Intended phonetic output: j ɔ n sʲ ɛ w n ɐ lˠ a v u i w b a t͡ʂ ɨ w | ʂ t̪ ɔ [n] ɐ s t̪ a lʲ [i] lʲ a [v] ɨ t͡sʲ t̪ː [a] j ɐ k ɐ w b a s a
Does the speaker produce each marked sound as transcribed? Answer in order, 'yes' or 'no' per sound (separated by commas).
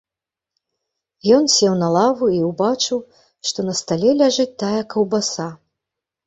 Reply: yes, no, no, yes